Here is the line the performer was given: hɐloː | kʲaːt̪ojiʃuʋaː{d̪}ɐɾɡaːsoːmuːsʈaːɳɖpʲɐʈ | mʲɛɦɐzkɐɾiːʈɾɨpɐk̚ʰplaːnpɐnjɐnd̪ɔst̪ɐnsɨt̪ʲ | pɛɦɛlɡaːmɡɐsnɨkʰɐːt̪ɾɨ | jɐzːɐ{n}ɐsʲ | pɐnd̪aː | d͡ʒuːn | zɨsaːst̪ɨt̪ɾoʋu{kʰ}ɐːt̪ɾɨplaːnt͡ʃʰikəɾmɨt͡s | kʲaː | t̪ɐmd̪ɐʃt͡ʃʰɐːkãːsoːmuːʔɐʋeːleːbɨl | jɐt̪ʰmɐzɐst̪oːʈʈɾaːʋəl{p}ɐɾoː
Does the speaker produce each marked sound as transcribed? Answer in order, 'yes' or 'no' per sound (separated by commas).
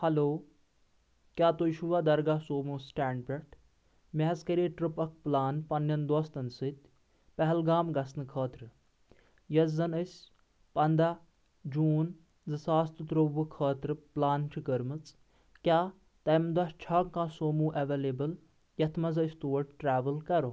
yes, yes, yes, no